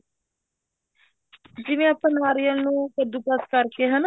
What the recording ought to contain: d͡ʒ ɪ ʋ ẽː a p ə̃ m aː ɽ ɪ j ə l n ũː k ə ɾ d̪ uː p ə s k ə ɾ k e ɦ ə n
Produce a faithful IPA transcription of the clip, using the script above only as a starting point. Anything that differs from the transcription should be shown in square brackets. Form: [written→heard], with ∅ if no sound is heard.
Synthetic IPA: d͡ʒ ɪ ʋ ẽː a p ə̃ [m→n] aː [ɽ→ɾ] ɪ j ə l n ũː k ə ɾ d̪ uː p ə s k ə ɾ k e ɦ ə n